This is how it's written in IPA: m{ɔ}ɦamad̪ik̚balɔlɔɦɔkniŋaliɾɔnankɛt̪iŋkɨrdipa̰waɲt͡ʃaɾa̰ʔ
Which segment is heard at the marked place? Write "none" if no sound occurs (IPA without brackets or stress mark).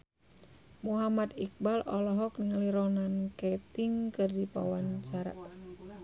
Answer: u